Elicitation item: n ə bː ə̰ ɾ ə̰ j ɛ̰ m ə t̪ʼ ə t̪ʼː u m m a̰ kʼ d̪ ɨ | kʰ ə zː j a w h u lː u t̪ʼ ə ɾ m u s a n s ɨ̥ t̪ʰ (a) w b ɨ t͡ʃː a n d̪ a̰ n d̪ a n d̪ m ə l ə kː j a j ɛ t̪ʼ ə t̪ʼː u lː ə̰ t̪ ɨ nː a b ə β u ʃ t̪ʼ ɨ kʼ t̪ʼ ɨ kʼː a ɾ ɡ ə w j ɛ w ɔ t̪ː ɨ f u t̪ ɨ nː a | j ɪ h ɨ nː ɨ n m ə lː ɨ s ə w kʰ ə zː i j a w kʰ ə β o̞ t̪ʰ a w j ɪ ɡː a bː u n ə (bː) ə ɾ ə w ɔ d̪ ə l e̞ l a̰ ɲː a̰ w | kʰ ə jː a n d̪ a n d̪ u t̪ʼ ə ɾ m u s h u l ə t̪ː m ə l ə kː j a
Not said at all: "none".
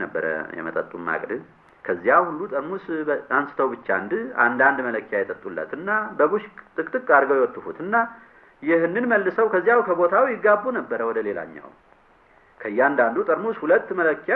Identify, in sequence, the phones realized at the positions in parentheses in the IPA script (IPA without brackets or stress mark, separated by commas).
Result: ə, bː